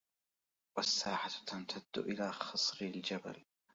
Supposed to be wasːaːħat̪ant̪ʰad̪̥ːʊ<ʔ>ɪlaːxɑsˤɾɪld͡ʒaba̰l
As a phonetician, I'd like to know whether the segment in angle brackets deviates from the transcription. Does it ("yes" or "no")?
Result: no